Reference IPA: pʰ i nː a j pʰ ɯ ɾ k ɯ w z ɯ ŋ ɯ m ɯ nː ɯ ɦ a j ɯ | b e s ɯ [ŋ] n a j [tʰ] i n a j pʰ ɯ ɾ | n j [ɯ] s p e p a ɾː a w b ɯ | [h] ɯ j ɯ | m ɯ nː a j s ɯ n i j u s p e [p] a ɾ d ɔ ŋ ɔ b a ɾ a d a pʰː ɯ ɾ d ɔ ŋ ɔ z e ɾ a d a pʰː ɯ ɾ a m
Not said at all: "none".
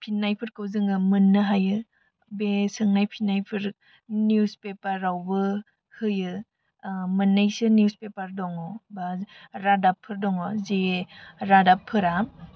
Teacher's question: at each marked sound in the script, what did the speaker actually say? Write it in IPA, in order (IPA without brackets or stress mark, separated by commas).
ŋ, pʰ, u, h, p